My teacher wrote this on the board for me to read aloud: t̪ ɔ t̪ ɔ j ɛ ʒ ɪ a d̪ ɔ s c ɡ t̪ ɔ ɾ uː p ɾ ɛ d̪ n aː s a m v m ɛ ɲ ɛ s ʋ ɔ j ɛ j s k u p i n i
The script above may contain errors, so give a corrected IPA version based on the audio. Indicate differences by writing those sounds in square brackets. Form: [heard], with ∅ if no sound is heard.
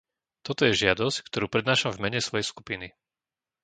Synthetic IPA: t̪ ɔ t̪ ɔ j ɛ ʒ ɪ a d̪ ɔ s c [k] t̪ ɔ ɾ uː p ɾ ɛ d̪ n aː [ʃ] a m v m ɛ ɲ ɛ s ʋ ɔ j ɛ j s k u p i n i

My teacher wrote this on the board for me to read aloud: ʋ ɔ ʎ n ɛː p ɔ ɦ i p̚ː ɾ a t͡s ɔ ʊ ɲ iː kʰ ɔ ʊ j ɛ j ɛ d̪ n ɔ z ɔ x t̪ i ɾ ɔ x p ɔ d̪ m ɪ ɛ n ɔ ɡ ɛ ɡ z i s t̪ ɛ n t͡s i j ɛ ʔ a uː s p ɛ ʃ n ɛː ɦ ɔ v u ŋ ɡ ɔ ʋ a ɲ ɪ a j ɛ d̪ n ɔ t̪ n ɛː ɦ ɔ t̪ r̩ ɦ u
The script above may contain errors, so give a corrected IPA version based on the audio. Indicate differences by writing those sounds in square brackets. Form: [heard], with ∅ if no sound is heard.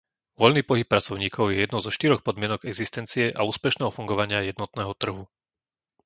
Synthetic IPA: ʋ ɔ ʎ n [iː] p ɔ ɦ i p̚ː ɾ a t͡s ɔ ʊ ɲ iː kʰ ɔ ʊ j ɛ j ɛ d̪ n ɔ z ɔ [ʃ] t̪ i ɾ ɔ x p ɔ d̪ m ɪ ɛ n ɔ ɡ ɛ ɡ z i s t̪ ɛ n t͡s i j ɛ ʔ a uː s p ɛ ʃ n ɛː ɦ ɔ [f] u ŋ ɡ ɔ ʋ a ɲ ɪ a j ɛ d̪ n ɔ t̪ n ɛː ɦ ɔ t̪ r̩ ɦ u

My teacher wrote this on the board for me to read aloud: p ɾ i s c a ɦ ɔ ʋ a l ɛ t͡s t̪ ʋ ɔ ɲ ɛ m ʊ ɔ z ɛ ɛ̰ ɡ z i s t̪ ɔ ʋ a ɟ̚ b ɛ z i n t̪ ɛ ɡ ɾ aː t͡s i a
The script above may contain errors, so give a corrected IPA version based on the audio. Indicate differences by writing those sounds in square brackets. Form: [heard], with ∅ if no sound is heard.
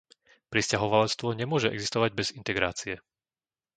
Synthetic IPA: p ɾ i s c a ɦ ɔ ʋ a l ɛ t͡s t̪ ʋ ɔ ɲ ɛ m ʊ ɔ [ʒ] ɛ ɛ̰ ɡ z i s t̪ ɔ ʋ a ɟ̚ b ɛ z i n t̪ ɛ ɡ ɾ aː t͡s i [ɛ]

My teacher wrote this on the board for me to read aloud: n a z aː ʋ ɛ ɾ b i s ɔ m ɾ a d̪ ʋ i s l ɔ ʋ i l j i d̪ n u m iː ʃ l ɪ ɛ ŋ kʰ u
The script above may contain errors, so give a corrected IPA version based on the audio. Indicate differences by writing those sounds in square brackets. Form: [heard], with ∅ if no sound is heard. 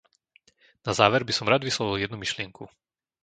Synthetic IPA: n a z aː ʋ ɛ ɾ b i s ɔ m ɾ a d̪ ʋ i s l ɔ ʋ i l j [ɛ] d̪ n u m [i] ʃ l ɪ ɛ ŋ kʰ u

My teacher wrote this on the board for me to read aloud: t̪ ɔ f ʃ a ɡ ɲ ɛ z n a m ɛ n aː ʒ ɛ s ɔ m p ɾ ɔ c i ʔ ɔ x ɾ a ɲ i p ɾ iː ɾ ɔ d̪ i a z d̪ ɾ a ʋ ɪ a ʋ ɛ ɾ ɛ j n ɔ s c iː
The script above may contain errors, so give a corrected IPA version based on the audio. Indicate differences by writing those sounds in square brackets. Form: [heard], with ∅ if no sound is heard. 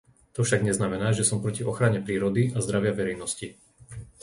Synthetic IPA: t̪ ɔ f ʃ a ɡ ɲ ɛ z n a m ɛ n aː ʒ ɛ s ɔ m p ɾ ɔ c i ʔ ɔ x ɾ a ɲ [ɛ] p ɾ iː ɾ ɔ d̪ i a z d̪ ɾ a ʋ ɪ a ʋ ɛ ɾ ɛ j n ɔ s c [i]

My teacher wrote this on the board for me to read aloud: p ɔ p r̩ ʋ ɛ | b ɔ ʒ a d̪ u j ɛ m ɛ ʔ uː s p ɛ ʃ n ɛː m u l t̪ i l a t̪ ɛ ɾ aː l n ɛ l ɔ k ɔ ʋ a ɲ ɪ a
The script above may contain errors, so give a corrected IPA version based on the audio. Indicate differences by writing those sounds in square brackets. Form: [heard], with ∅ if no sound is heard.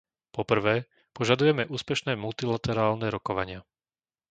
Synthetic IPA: p ɔ p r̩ ʋ [ɛː] | [p] ɔ ʒ a d̪ u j ɛ m ɛ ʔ uː s p ɛ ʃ n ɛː m u l t̪ i l a t̪ ɛ ɾ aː l n ɛ [ɾ] ɔ k ɔ ʋ a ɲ ɪ a

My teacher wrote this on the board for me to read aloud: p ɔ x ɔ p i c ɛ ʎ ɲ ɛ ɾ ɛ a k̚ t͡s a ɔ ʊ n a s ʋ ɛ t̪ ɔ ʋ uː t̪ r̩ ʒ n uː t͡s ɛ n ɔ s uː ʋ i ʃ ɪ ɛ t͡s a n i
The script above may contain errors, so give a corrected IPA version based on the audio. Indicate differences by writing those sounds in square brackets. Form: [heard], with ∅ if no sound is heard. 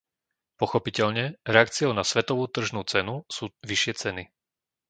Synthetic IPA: p ɔ x ɔ p i c ɛ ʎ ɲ ɛ ɾ ɛ a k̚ t͡s [i] ɔ ʊ n a s ʋ ɛ t̪ ɔ ʋ uː t̪ r̩ ʒ n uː t͡s ɛ n [u] s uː ʋ i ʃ ɪ ɛ t͡s [ɛ] n i

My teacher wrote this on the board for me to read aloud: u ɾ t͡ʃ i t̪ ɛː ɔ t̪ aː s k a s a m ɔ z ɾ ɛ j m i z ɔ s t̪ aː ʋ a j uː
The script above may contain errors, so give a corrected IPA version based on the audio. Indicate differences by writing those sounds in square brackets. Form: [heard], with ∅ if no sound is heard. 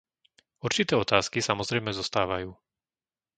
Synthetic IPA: u ɾ t͡ʃ i t̪ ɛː ɔ t̪ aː s k [i] s a m ɔ z ɾ ɛ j m [ɛ] z ɔ s t̪ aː ʋ a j uː

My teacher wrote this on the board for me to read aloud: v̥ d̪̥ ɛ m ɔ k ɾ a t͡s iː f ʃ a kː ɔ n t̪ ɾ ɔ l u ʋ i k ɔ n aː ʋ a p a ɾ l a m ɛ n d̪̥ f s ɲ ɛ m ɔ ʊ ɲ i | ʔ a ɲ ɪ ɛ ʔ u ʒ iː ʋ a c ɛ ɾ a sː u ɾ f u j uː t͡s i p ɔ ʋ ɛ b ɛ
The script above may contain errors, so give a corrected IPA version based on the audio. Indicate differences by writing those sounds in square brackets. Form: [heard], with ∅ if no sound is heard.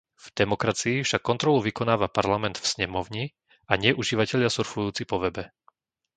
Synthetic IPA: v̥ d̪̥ ɛ m ɔ k ɾ a t͡s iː f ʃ a kː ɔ n t̪ ɾ ɔ l u ʋ i k ɔ n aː ʋ a p a ɾ l a m ɛ n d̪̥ f s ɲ ɛ m ɔ ʊ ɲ i | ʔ a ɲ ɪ ɛ ʔ u ʒ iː ʋ a c ɛ [ʎ] a [s] u ɾ f u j uː t͡s i p ɔ ʋ ɛ b ɛ

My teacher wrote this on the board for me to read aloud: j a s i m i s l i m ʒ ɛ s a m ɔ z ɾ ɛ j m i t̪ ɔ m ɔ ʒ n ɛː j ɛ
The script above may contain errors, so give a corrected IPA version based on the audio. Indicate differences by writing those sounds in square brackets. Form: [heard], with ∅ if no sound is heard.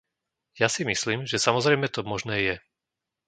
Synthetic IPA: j a s i m i s l [iː] m ʒ ɛ s a m ɔ z ɾ ɛ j m [ɛ] t̪ ɔ m ɔ ʒ n ɛː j ɛ

